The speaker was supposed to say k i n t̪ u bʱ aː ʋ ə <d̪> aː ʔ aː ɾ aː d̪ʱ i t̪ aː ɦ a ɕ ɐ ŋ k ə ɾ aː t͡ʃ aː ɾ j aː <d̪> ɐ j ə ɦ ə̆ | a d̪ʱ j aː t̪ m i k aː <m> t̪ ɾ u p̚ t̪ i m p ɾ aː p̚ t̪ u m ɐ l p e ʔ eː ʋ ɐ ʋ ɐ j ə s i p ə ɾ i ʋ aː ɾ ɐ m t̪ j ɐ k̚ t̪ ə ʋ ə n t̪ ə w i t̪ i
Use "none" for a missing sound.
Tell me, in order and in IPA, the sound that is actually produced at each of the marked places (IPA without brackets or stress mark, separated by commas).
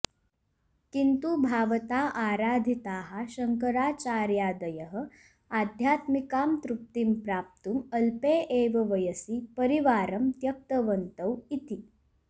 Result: t̪, d̪, m